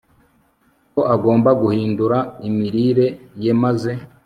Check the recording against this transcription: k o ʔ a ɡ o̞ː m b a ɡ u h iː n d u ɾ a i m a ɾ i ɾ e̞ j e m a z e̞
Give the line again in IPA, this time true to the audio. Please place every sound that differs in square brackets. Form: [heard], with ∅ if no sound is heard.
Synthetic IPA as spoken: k o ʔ a ɡ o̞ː m b a ɡ u h iː n d u ɾ a i m [i] ɾ i ɾ e̞ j e m a z e̞